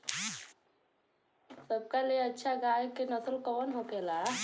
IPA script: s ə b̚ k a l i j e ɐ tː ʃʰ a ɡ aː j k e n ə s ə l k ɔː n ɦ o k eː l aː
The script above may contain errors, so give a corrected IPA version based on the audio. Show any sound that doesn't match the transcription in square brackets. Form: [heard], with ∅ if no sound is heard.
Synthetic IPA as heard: s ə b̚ k a l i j e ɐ tː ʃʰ a ɡ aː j k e n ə s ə l k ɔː n ɦ o k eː l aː